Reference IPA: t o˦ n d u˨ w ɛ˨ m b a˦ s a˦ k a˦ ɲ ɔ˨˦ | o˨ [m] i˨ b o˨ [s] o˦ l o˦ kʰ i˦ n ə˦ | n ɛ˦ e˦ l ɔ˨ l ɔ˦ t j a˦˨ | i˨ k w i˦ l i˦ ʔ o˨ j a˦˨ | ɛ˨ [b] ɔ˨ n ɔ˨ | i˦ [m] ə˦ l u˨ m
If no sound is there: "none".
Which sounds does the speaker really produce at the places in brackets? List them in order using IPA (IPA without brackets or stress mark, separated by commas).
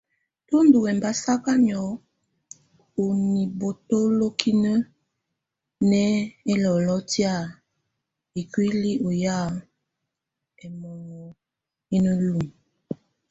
n, t, m, n